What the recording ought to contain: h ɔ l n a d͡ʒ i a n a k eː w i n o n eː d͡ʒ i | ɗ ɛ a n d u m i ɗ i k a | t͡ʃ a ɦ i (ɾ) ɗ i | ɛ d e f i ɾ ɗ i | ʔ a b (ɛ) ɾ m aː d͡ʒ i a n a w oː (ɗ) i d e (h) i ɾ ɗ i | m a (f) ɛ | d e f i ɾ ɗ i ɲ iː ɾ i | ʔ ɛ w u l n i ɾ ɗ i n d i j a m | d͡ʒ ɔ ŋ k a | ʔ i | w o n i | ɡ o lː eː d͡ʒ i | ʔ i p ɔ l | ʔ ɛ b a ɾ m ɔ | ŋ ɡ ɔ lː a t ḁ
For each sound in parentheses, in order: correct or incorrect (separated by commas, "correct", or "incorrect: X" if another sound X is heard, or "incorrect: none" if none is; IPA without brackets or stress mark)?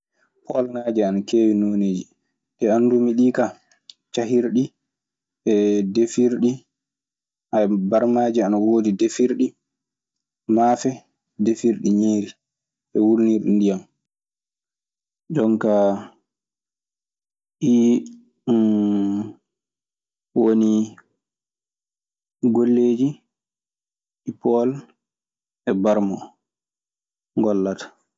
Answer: correct, incorrect: a, incorrect: d, incorrect: f, correct